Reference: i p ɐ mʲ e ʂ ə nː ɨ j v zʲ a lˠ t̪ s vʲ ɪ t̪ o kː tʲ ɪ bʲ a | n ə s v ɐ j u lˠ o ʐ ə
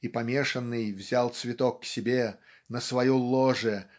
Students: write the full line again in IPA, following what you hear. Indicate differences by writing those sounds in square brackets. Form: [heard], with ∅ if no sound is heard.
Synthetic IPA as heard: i p ɐ mʲ e ʂ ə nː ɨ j v zʲ a lˠ t̪ s vʲ ɪ t̪ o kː [sʲ] ɪ bʲ [e] | n ə s v ɐ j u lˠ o ʐ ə